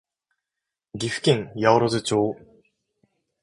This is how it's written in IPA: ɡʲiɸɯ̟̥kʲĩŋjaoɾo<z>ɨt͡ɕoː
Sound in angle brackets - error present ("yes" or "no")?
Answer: no